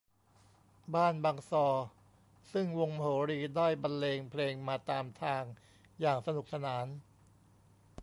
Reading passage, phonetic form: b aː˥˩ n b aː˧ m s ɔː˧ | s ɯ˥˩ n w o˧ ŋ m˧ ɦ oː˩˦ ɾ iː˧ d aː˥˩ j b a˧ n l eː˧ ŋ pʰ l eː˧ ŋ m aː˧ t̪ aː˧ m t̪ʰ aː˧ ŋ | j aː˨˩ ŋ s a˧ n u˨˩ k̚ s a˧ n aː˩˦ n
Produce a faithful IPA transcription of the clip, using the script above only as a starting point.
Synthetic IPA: b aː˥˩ n b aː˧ ŋ s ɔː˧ | s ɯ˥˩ ŋ w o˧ ŋ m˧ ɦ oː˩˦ ɾ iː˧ d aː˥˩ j b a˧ n l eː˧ ŋ pʰ l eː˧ ŋ m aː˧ t̪ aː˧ m t̪ʰ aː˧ ŋ | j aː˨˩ ŋ s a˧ n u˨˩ k̚ s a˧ n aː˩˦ n

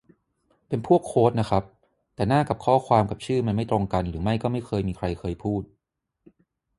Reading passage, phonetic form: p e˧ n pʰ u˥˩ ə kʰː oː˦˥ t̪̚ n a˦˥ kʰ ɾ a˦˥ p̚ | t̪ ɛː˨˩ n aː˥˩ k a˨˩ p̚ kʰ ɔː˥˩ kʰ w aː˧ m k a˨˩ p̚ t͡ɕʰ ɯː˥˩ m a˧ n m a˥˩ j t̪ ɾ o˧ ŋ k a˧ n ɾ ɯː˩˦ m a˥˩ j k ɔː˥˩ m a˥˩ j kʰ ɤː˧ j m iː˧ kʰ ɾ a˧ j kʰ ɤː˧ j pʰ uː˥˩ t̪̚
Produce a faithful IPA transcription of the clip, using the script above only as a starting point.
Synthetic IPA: p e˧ n pʰ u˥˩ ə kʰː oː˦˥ t̪̚ n a˦˥ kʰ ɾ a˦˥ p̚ | t̪ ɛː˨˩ n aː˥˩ k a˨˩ p̚ kʰ ɔː˥˩ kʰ w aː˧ m k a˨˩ p̚ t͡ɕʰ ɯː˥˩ m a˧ n m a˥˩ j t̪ ɾ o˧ ŋ k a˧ n ɾ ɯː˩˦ m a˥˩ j k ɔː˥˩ m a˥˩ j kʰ ɤː˧ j m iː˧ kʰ ɾ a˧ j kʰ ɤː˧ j pʰ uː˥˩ t̪̚

